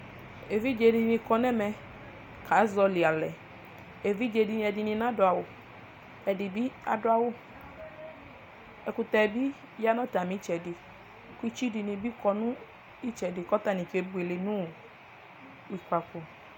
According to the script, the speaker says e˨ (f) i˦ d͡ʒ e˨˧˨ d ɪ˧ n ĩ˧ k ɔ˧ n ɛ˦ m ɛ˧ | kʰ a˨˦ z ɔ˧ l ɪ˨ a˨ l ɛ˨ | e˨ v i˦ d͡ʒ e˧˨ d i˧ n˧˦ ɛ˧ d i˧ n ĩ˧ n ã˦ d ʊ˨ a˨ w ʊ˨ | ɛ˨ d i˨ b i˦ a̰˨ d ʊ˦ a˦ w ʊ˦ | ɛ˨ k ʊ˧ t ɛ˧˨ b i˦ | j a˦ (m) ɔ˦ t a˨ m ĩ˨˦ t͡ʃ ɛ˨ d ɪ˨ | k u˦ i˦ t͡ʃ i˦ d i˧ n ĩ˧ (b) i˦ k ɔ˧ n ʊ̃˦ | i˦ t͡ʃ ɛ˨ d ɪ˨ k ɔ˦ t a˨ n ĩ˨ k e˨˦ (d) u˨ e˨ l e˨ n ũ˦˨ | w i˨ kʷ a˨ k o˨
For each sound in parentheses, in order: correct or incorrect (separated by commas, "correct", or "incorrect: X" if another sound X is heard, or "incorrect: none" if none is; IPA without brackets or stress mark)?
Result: incorrect: v, incorrect: n, correct, incorrect: b